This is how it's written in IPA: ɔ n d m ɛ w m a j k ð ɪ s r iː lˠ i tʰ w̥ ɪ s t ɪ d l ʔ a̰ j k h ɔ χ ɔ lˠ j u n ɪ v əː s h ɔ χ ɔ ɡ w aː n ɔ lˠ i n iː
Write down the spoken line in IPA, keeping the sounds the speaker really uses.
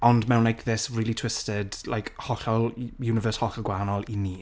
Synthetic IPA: ɔ n d m ɛ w n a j k ð ɪ s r iː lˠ i tʰ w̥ ɪ s t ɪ d l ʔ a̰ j k h ɔ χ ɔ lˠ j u n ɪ v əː s h ɔ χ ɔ ɡ w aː n ɔ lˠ i n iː